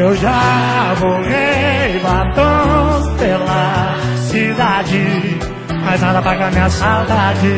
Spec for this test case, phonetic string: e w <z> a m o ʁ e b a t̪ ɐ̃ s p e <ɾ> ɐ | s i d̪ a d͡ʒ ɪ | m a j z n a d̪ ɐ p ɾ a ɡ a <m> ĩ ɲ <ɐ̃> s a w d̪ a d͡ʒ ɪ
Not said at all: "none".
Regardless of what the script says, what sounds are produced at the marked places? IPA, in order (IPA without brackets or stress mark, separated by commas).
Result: ʒ, l, m, ɐ